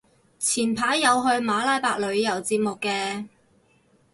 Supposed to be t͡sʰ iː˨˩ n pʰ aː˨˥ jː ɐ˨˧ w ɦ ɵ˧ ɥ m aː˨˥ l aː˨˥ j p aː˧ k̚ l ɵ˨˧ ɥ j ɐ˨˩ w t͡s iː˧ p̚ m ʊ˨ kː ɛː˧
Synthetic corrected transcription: t͡sʰ iː˨˩ n pʰ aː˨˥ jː ɐ˨˧ w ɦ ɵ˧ ɥ m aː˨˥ l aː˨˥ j p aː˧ k̚ l ɵ˨˧ ɥ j ɐ˨˩ w t͡s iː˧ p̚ m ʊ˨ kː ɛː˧